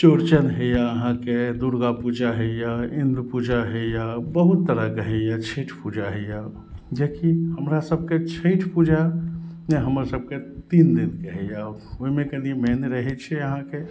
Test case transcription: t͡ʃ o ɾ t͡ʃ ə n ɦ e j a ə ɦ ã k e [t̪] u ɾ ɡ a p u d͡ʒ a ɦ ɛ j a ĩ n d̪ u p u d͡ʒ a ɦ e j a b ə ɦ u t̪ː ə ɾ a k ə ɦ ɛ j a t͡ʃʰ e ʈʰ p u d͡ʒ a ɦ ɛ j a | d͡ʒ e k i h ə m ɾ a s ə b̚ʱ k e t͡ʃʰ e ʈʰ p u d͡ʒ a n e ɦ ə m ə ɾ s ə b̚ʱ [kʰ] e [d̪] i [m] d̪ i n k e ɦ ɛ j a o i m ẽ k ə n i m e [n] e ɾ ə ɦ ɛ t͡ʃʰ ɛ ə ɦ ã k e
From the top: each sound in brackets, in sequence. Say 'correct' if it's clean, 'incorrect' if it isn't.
incorrect: d̪, incorrect: k, incorrect: t̪, incorrect: n, correct

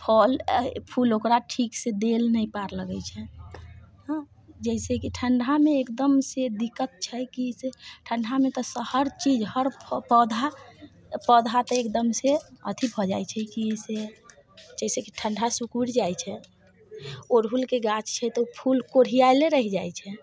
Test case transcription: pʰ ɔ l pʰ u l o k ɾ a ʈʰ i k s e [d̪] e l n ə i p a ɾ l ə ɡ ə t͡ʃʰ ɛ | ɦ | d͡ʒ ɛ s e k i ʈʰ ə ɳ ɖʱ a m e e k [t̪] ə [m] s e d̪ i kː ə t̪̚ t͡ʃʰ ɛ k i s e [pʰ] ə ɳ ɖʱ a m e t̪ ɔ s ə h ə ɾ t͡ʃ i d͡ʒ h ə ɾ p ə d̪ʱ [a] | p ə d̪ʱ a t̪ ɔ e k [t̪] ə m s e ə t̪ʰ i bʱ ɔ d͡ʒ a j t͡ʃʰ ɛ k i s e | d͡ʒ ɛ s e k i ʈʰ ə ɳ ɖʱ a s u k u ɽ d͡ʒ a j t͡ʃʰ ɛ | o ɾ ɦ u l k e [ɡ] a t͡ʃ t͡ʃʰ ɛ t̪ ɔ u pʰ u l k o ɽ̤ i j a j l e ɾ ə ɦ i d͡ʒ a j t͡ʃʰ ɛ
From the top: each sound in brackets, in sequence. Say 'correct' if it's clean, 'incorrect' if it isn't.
correct, incorrect: d̪, correct, incorrect: ʈʰ, correct, incorrect: d̪, correct

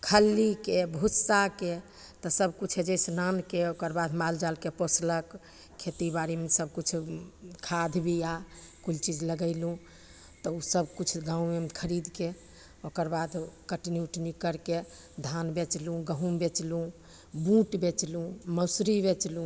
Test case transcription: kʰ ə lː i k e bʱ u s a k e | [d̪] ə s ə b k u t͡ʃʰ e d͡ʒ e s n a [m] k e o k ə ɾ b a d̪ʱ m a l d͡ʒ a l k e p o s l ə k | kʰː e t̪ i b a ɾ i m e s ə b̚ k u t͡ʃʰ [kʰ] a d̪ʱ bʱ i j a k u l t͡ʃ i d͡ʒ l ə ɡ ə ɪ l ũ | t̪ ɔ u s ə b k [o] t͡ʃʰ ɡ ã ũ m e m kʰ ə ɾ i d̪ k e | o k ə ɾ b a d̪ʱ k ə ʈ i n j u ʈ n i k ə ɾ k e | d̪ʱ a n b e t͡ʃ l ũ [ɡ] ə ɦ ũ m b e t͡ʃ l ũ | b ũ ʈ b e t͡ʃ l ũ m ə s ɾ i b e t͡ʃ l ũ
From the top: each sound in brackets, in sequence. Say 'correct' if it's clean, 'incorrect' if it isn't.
incorrect: t̪, incorrect: n, correct, incorrect: u, correct

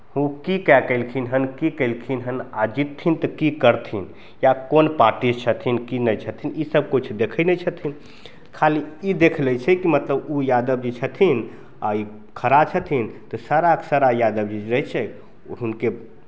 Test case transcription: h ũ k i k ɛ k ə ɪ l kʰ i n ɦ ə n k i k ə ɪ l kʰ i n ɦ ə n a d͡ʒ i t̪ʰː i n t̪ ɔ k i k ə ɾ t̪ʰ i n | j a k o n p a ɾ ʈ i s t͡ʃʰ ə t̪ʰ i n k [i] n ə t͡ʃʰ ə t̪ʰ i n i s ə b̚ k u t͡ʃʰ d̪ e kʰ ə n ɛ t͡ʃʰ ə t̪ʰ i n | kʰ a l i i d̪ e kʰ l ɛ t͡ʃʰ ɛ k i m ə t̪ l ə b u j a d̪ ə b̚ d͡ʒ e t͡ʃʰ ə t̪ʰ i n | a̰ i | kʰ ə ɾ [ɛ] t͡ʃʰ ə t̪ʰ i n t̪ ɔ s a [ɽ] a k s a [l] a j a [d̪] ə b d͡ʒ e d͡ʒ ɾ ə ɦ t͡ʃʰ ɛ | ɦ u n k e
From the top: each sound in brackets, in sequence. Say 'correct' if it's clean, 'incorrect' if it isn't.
correct, incorrect: a, incorrect: ɾ, incorrect: ɾ, correct

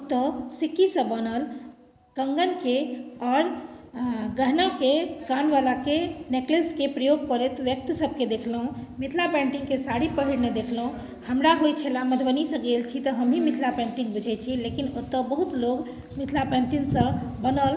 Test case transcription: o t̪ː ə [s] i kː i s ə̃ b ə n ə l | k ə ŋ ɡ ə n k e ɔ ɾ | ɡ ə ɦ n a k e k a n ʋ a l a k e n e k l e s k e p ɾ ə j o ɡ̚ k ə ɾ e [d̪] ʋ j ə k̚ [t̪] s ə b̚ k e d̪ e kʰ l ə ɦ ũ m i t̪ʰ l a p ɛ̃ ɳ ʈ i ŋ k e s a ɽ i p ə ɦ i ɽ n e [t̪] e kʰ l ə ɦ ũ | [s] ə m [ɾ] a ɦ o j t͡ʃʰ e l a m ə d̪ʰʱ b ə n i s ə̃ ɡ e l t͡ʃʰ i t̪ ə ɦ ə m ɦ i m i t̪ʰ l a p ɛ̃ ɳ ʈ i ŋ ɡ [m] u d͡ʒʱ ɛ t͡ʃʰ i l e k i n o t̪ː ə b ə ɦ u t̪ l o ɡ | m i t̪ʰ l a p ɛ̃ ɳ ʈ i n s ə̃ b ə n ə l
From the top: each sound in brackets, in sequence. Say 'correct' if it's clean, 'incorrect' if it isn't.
correct, incorrect: t̪, correct, incorrect: d̪, incorrect: h, correct, incorrect: b

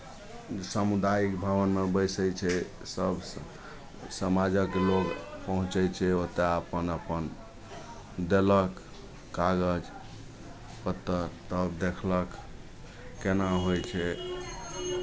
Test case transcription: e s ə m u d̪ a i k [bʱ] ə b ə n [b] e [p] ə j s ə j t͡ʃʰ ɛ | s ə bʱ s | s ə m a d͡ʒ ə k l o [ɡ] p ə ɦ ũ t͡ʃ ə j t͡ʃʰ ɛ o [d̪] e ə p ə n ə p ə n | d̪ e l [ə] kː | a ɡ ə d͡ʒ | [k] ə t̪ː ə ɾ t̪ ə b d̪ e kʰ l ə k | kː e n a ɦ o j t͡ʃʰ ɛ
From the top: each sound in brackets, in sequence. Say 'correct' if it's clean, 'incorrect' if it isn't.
correct, incorrect: m, incorrect: b, correct, incorrect: t̪, correct, incorrect: p

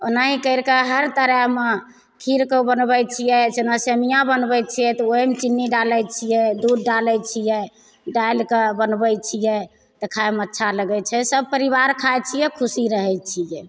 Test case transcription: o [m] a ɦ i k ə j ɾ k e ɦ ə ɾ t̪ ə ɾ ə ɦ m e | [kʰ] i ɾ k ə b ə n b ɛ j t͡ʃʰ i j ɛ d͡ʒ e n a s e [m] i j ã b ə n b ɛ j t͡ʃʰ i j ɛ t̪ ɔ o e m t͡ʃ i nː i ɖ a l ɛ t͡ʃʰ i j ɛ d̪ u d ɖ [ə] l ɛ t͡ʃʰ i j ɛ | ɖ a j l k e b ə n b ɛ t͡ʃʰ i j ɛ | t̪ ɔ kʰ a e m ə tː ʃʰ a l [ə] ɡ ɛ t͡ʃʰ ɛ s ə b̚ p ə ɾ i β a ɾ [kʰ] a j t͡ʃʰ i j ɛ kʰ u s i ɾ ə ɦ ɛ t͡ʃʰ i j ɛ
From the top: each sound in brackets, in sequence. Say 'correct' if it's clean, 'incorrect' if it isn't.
incorrect: n, correct, correct, incorrect: a, correct, correct

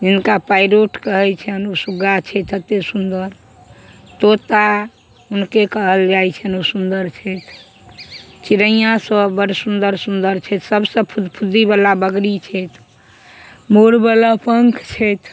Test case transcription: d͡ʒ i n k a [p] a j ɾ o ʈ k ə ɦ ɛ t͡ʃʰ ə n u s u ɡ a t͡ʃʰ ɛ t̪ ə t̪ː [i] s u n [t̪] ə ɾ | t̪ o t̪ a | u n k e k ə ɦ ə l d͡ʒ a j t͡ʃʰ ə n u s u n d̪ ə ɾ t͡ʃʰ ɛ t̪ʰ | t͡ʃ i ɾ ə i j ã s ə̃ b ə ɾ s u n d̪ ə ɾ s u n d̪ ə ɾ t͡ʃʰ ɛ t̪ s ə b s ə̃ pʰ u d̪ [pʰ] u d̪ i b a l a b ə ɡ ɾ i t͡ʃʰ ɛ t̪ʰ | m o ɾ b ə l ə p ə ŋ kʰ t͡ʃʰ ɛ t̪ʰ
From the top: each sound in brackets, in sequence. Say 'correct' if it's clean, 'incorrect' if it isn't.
correct, incorrect: e, incorrect: d̪, correct

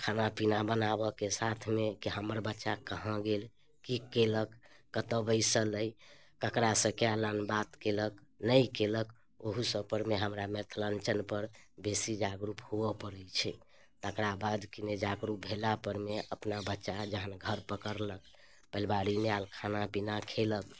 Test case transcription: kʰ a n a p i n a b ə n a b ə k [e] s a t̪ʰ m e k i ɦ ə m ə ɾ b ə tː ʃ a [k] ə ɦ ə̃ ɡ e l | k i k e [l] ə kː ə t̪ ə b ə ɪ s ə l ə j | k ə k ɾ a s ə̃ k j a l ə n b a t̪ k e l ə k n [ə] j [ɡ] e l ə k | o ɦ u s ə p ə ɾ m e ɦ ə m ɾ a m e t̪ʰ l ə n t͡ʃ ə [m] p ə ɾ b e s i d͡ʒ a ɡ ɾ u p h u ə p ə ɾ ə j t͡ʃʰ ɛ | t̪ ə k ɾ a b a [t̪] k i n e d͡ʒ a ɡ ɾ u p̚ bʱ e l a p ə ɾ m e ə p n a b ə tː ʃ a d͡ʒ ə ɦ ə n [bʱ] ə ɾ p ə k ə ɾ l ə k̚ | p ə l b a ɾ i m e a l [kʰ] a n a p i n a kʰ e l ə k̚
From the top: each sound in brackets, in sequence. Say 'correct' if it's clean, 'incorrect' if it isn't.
correct, correct, correct, correct, incorrect: k, incorrect: n, incorrect: d̪, incorrect: ɡʱ, correct

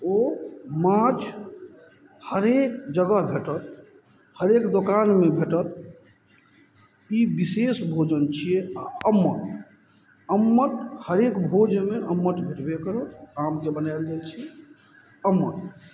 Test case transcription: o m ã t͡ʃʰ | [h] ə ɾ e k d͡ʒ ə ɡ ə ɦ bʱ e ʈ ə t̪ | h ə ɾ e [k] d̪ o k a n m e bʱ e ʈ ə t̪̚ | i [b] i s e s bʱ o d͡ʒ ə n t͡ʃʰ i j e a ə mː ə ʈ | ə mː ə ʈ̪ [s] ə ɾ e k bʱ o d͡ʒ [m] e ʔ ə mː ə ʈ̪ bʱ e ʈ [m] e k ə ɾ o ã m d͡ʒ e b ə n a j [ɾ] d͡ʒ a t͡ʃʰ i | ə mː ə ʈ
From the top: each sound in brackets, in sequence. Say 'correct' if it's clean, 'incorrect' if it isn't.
correct, correct, correct, incorrect: h, correct, incorrect: b, incorrect: l

